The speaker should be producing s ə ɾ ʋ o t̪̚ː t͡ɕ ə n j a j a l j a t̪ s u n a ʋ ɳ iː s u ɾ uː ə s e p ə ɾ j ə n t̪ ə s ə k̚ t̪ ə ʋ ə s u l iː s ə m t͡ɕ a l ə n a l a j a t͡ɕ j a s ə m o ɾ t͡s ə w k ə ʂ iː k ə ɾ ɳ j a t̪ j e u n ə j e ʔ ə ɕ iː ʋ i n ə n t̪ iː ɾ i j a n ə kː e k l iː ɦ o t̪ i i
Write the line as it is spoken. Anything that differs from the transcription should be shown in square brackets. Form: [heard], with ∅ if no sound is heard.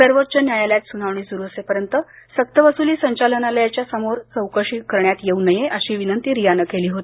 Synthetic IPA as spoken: s ə ɾ ʋ o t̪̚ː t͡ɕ ə n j a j a l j a t̪ s u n a ʋ ɳ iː s u ɾ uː ə s e p ə ɾ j ə n t̪ ə s ə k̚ t̪ ə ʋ ə s u l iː s ə [ɲ] t͡ɕ a l ə n a l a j a t͡ɕ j a s ə m o ɾ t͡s ə w k ə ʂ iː k ə ɾ ɳ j a t̪ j e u n ə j e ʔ ə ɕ iː ʋ i n ə n t̪ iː ɾ i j a n ə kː e [∅] l iː ɦ o t̪ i i